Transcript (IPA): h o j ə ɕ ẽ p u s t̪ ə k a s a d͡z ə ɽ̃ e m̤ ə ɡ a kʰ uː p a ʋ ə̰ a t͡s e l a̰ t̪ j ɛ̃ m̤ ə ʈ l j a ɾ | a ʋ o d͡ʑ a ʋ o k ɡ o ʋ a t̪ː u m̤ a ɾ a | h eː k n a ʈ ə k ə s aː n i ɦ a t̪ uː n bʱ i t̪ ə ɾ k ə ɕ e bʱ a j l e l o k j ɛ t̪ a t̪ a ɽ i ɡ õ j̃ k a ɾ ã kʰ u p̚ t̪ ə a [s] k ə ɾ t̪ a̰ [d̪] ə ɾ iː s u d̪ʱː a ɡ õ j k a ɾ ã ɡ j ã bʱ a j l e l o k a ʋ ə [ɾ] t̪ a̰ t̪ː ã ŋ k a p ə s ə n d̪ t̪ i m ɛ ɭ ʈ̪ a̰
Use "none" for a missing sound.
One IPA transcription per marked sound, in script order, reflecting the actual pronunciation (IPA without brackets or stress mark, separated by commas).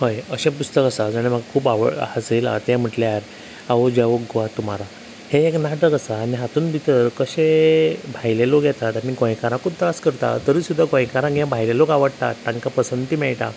s, t̪, ɽ